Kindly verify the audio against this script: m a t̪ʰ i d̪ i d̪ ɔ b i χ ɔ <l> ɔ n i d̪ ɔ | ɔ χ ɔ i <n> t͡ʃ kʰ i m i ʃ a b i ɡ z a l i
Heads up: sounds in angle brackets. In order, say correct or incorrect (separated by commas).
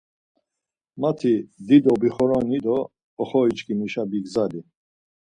incorrect, incorrect